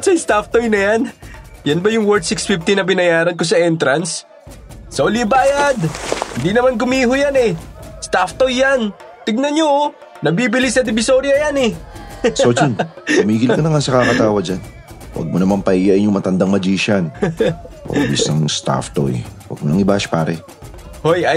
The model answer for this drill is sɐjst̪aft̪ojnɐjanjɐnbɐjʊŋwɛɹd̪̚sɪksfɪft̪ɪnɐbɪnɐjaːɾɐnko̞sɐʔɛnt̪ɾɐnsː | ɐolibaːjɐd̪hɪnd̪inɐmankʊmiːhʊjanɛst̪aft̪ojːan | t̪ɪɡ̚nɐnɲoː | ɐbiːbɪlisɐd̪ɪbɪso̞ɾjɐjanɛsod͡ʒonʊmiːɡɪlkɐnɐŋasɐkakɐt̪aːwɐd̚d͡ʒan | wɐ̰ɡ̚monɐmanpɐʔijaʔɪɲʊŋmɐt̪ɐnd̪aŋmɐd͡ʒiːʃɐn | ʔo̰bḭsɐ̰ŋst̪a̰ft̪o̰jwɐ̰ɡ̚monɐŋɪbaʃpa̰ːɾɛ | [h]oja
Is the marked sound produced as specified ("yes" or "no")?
yes